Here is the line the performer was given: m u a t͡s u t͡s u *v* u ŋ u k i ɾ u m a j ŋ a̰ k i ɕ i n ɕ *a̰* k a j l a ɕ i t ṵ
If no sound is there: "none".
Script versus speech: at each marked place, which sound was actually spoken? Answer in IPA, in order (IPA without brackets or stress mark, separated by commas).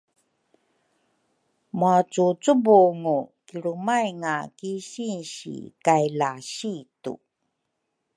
b, ḭ